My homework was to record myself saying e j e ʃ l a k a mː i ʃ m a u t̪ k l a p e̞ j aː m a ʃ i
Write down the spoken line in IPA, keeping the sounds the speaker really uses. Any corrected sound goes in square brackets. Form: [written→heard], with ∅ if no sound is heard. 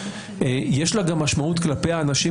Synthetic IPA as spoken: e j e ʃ l a [k→ɡ] a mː [i→a] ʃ m a u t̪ k l a p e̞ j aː [m→n] a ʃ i